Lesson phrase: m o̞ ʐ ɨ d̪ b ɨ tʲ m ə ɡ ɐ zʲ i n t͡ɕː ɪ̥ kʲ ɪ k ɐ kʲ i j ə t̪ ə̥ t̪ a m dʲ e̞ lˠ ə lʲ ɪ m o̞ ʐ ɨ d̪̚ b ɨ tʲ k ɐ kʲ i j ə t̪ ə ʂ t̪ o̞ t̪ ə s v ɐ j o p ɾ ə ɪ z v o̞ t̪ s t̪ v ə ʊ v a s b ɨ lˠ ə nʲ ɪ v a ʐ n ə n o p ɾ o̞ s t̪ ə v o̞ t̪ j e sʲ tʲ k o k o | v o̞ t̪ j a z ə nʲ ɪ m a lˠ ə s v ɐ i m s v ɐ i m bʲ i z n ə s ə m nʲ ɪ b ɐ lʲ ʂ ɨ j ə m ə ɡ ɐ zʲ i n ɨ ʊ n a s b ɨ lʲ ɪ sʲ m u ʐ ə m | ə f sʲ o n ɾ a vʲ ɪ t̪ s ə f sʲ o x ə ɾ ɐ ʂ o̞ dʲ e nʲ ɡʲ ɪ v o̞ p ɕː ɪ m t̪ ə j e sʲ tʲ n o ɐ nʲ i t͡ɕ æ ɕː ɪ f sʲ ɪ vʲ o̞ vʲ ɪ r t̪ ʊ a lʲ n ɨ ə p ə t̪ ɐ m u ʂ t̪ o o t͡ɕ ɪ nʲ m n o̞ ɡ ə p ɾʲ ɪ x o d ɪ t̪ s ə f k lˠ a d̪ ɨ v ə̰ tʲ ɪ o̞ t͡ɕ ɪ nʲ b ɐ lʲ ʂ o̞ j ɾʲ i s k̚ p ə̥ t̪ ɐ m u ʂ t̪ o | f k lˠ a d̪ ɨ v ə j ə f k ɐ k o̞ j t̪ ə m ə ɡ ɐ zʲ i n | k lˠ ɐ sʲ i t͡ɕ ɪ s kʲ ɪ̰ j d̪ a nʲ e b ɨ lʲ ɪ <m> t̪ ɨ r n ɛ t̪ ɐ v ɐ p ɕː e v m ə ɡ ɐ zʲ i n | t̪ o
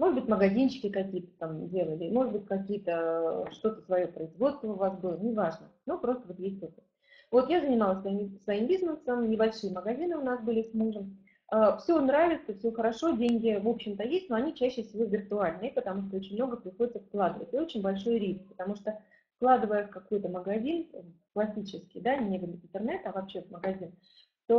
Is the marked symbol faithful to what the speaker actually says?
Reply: no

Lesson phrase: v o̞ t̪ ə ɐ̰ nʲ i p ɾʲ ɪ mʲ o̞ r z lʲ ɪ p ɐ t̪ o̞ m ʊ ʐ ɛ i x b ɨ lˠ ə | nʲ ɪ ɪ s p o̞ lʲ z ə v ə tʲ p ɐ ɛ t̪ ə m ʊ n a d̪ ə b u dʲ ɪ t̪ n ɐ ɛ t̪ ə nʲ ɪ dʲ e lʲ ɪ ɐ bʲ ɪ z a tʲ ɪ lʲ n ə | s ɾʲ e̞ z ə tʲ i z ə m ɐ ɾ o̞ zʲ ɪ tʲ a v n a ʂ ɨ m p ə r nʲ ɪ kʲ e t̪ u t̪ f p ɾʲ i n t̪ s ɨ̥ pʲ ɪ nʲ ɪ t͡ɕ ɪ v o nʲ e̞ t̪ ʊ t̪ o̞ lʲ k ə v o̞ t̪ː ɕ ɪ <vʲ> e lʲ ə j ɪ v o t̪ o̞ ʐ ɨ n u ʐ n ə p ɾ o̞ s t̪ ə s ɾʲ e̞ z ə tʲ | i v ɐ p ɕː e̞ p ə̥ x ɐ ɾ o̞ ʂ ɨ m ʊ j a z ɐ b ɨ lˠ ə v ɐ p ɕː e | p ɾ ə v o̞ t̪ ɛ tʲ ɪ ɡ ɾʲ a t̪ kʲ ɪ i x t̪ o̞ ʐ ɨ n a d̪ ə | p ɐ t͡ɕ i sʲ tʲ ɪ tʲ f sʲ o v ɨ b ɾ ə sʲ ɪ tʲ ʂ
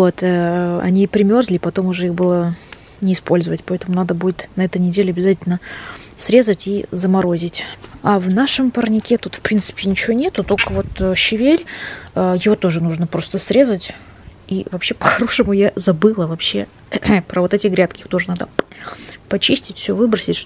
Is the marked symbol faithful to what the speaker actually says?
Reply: yes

